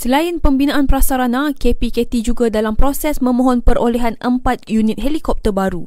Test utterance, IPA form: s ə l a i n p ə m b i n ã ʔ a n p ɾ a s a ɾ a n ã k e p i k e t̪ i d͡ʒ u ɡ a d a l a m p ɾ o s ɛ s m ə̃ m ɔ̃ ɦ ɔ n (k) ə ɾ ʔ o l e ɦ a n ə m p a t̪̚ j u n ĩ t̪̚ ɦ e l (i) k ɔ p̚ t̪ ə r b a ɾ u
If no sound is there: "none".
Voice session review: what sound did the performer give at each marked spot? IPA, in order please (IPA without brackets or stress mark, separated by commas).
p, i